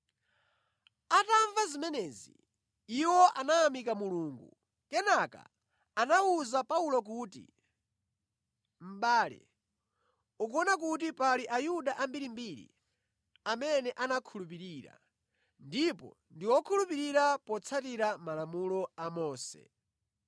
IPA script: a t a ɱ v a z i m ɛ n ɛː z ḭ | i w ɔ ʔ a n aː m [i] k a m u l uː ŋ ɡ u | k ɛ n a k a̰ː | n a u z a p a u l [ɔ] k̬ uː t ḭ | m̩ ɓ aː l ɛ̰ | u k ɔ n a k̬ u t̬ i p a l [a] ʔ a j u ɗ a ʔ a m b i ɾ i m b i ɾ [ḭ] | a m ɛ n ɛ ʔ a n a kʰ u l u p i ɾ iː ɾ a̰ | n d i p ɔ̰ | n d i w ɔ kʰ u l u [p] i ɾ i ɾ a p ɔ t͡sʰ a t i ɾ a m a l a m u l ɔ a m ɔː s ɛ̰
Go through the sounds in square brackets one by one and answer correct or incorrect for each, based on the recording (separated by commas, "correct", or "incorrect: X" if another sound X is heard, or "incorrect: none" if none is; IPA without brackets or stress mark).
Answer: correct, correct, incorrect: i, correct, correct